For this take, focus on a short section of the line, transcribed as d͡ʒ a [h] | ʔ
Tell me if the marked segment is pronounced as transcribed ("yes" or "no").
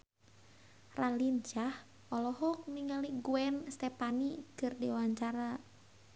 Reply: yes